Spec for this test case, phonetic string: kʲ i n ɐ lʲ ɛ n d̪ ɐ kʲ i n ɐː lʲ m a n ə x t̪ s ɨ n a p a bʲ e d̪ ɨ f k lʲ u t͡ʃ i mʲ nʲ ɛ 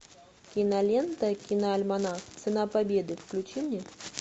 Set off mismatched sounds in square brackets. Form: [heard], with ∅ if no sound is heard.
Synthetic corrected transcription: kʲ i n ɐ lʲ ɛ n [t̪] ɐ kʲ i n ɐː lʲ m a n [a] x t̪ s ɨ n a p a bʲ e d̪ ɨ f k lʲ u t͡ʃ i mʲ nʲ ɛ